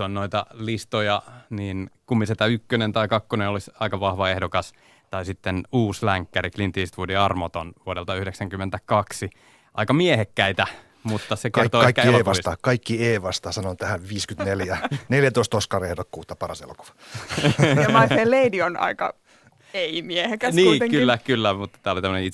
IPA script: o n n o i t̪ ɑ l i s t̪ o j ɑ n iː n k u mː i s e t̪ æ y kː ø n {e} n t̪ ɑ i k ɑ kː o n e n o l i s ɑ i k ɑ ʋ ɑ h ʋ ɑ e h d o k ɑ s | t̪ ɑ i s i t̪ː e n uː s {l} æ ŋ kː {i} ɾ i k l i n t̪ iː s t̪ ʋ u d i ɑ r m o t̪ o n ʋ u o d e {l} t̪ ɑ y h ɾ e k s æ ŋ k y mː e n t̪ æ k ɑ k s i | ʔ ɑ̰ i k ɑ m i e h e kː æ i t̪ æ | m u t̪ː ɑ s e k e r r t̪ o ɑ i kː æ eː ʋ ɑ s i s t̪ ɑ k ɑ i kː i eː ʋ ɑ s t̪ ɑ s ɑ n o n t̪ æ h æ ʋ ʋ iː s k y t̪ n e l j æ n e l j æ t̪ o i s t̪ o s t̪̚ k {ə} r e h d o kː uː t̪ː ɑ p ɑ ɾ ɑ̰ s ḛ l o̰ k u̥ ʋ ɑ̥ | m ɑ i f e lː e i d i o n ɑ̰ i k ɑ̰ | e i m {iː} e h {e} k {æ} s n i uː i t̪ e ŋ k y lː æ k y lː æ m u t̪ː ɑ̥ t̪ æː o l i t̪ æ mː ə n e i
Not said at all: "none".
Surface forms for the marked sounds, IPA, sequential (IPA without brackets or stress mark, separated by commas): e, l, æ, l, ɑ, i, e, æ